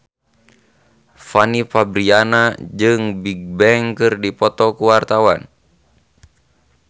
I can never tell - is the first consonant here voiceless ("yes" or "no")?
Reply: yes